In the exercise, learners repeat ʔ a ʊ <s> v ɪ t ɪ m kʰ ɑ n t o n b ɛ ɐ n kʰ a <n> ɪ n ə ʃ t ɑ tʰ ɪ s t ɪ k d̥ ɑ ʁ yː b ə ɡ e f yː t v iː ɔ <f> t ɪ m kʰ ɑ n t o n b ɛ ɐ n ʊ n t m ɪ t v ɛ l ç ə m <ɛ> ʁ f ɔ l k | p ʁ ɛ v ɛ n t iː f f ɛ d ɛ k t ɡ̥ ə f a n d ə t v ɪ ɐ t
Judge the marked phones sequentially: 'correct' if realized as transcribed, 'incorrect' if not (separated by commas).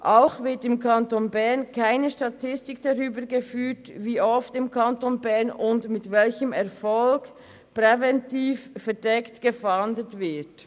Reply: incorrect, incorrect, correct, correct